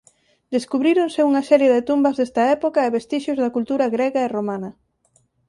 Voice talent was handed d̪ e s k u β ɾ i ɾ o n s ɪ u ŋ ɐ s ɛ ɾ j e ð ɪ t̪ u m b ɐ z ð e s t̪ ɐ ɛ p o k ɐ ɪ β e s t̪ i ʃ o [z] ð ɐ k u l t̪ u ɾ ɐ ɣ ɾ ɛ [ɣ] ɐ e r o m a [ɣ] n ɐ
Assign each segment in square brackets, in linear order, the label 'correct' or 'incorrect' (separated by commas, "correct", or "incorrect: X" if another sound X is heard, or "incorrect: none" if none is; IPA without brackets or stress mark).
correct, correct, incorrect: none